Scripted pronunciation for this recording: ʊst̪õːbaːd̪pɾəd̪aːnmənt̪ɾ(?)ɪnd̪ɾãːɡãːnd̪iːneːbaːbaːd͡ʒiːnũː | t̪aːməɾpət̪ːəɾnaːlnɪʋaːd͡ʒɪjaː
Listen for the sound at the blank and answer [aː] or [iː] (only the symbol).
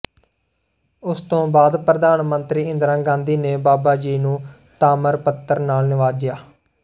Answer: iː